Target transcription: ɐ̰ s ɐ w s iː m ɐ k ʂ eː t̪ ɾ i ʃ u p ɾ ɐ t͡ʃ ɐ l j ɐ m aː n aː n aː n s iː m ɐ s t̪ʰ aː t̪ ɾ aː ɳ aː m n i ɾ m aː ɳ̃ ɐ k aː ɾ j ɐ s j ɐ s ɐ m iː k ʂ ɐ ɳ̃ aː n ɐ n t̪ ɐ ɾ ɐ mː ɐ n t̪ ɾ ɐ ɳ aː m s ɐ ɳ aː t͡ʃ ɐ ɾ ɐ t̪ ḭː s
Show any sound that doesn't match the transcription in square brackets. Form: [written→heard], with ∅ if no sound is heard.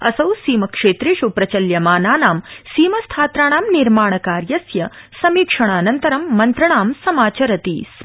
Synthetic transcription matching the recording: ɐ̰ s ɐ w s iː m ɐ k ʂ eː t̪ ɾ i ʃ u p ɾ ɐ t͡ʃ ɐ l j ɐ m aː n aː n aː [n→m] s iː m ɐ s t̪ʰ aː t̪ ɾ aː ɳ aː m n i ɾ m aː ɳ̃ ɐ k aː ɾ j ɐ s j ɐ s ɐ m iː k ʂ ɐ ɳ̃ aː n ɐ n t̪ ɐ ɾ ɐ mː ɐ n t̪ ɾ ɐ ɳ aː m s ɐ [ɳ→m] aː t͡ʃ ɐ ɾ ɐ t̪ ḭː s